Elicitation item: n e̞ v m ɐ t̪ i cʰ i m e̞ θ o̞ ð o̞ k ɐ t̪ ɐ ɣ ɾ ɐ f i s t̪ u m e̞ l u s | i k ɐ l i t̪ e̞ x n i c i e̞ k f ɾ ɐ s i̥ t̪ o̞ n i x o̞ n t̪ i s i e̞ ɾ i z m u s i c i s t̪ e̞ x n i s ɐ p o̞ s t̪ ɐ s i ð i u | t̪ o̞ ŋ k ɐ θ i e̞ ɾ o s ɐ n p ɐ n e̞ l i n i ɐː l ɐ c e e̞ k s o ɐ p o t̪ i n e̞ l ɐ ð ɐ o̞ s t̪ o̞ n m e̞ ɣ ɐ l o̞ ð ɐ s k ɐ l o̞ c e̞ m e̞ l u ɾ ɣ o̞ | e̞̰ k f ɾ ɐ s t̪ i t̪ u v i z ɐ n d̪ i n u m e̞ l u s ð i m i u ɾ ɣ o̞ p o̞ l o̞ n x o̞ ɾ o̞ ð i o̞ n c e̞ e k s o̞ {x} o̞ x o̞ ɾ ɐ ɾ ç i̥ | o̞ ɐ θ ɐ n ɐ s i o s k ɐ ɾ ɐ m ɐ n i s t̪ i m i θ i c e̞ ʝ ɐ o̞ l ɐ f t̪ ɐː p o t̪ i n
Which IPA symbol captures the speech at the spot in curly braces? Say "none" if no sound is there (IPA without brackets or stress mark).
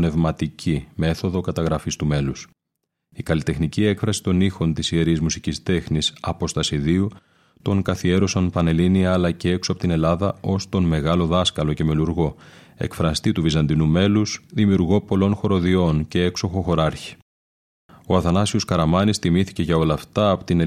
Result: x